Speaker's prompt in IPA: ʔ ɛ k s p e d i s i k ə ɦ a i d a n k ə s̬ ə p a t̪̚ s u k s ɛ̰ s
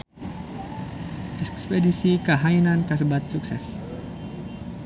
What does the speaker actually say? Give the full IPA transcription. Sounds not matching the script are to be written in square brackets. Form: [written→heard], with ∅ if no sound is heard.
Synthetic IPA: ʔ ɛ k s p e d i s i k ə ɦ a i [d→n] a n k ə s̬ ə [p→b] a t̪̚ s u k s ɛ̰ s